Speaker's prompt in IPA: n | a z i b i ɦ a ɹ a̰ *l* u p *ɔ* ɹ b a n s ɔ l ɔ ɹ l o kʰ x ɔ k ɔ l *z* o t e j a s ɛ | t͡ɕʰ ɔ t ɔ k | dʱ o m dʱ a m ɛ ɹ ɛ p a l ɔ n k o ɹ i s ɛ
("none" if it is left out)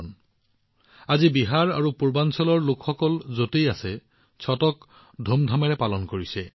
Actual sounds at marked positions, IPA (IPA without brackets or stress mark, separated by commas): ɹ, u, z